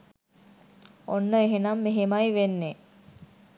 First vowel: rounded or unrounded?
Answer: rounded